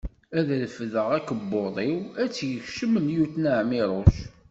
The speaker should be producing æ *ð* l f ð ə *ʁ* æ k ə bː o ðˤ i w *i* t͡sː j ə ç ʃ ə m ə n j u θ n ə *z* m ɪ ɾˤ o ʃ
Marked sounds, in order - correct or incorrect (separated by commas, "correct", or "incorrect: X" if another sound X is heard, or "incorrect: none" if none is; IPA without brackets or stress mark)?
correct, correct, incorrect: æ, incorrect: ʕ